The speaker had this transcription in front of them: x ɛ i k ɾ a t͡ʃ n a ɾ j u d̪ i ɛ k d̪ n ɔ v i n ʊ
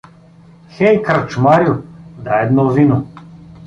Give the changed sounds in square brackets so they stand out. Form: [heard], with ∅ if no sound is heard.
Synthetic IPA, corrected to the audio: x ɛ [j] k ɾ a t͡ʃ [m] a ɾ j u d̪ [a] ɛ [∅] d̪ n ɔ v i n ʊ

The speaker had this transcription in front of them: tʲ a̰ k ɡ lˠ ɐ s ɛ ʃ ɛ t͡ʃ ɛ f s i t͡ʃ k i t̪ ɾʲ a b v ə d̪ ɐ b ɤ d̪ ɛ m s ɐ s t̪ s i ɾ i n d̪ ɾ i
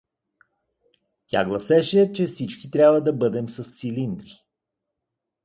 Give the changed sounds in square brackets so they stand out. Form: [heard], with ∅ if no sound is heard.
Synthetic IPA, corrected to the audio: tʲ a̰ [∅] ɡ lˠ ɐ s ɛ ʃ ɛ t͡ʃ ɛ f s i t͡ʃ k i t̪ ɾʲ a b v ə d̪ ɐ b ɤ d̪ ɛ m s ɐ s t̪ s i [l] i n d̪ ɾ i

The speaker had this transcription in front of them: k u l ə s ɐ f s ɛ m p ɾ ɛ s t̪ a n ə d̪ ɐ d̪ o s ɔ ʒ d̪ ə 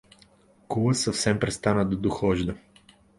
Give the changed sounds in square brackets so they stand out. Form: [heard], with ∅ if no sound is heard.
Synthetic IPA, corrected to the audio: k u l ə s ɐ f s ɛ m p ɾ ɛ s t̪ a n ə d̪ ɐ d̪ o [x] ɔ ʒ d̪ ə

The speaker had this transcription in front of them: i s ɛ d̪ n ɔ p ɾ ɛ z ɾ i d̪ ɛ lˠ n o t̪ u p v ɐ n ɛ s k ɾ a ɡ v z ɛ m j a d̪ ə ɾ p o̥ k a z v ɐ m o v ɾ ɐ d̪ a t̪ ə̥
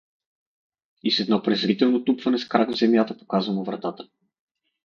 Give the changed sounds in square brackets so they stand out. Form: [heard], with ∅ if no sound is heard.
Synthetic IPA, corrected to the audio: i s ɛ d̪ n ɔ p ɾ ɛ z ɾ i [t̪] ɛ lˠ n o t̪ u p v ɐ n ɛ s k ɾ a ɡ v z ɛ m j a [t̪] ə [∅] p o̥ k a z v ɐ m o v ɾ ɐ [t̪] a t̪ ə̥

